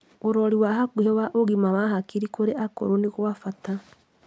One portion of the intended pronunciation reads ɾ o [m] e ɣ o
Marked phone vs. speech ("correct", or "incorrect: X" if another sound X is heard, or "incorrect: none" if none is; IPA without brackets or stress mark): incorrect: n